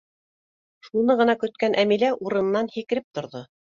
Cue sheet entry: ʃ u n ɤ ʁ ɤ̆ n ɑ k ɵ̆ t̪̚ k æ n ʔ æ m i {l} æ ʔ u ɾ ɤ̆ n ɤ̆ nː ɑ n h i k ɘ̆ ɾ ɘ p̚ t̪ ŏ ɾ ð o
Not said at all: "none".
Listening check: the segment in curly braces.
l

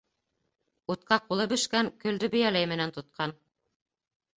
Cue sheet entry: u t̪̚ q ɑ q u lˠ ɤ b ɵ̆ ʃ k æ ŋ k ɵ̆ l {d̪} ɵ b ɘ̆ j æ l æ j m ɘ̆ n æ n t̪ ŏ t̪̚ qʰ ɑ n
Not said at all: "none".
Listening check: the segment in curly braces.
d̪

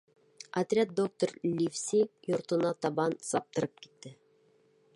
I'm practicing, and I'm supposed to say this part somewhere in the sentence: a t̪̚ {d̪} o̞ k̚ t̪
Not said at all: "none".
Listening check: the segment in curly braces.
d̪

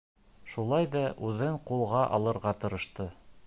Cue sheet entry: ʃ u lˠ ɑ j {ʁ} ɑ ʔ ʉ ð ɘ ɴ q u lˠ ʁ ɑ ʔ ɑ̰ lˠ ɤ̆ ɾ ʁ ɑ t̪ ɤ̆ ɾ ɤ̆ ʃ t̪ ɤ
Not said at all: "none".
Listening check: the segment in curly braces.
ð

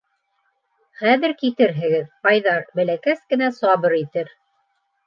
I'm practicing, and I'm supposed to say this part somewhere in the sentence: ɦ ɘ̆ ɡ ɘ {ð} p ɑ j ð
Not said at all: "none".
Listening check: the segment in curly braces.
ð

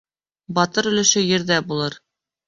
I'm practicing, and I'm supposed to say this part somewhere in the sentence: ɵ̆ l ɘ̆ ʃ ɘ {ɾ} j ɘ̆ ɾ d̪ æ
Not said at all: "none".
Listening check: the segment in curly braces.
none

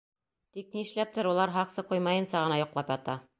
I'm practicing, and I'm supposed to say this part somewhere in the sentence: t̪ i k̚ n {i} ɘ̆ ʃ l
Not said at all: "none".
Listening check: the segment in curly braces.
i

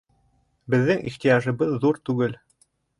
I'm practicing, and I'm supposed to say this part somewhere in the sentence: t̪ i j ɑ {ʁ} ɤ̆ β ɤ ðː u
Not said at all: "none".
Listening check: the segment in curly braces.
ʒ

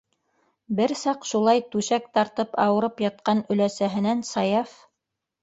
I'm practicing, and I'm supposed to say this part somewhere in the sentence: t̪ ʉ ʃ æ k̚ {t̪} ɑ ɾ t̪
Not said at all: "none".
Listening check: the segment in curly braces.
t̪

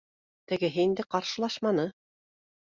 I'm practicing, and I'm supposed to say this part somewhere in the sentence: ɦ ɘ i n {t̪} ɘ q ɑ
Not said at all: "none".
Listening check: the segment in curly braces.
d̪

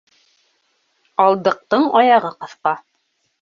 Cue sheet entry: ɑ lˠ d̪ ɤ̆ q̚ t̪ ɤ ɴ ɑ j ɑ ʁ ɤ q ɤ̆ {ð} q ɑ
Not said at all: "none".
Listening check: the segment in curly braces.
θ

